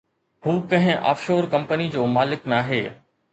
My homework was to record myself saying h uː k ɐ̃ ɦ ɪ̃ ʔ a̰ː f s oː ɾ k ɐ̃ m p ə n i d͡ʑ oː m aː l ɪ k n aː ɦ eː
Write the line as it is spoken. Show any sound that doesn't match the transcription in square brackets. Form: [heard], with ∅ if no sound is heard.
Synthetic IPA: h uː k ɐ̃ ɦ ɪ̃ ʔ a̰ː f [ʃ] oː ɾ k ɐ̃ m p ə n i d͡ʑ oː m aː l ɪ k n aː ɦ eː